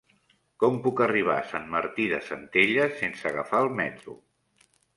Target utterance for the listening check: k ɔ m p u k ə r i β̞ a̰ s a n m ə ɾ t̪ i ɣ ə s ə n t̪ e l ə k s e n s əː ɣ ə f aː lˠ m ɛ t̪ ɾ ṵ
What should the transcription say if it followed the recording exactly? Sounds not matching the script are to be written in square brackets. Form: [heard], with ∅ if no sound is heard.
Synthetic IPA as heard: k ɔ m p u k ə r i β̞ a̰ s a n m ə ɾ t̪ i [ð] ə s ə n t̪ e [ʎ] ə [∅] s e n s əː ɣ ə f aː lˠ m ɛ t̪ ɾ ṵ